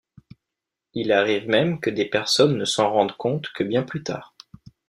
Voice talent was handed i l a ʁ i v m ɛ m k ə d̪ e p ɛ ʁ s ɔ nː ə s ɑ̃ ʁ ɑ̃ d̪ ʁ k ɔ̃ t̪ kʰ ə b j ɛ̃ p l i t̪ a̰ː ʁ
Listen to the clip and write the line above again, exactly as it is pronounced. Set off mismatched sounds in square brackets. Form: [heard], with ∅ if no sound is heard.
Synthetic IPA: i l a ʁ i v m ɛ m k ə d̪ e p ɛ ʁ s ɔ nː ə s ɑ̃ ʁ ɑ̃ d̪ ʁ k ɔ̃ t̪ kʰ ə b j ɛ̃ p l [y] t̪ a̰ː ʁ